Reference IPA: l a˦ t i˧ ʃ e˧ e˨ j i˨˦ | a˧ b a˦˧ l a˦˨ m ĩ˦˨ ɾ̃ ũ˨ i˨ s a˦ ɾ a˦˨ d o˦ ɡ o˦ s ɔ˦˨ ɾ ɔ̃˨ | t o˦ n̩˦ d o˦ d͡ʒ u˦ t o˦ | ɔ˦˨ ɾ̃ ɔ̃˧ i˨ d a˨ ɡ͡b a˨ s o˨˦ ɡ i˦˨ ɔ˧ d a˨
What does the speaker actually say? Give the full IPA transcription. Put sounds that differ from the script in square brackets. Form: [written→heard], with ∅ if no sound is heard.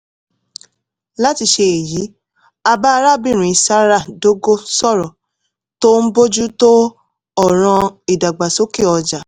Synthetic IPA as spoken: l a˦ t i˧ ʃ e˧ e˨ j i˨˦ | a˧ b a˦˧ [l→ɾ] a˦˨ [m→b] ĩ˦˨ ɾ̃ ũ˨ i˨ s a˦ ɾ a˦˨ d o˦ ɡ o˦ s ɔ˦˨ ɾ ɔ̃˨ | t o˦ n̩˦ [d→b] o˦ d͡ʒ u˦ t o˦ | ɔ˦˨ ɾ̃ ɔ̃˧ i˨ d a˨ ɡ͡b a˨ s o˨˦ [ɡ→k] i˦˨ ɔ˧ [d→d͡ʒ] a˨